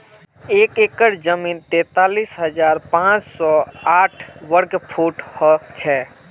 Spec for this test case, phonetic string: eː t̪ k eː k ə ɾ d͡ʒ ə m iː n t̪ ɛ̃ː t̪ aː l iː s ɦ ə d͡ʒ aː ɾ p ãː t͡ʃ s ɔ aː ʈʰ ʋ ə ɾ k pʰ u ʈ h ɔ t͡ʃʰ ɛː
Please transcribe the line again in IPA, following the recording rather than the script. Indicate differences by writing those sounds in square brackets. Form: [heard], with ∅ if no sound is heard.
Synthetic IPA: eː [∅] k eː k ə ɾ d͡ʒ ə m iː n t̪ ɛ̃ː t̪ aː l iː s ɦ ə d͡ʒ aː ɾ p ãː t͡ʃ s ɔ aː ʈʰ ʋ ə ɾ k pʰ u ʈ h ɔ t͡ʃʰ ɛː